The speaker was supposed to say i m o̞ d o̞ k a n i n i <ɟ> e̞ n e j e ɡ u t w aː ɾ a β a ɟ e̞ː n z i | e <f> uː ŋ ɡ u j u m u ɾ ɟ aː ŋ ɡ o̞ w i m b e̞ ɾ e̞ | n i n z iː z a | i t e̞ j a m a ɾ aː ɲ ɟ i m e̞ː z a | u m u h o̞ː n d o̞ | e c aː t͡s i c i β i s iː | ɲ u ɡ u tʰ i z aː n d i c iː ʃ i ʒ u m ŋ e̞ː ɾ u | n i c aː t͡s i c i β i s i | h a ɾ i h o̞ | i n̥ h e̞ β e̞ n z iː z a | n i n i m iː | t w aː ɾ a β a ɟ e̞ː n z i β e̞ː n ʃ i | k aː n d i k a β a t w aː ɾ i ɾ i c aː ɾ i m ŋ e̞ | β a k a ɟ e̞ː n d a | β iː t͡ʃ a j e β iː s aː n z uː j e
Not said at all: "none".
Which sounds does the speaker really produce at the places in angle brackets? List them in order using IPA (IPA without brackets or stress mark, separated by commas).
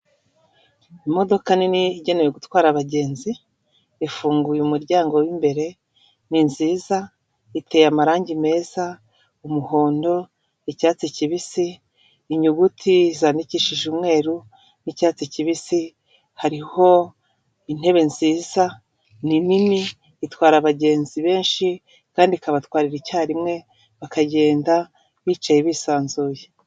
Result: ɟ, f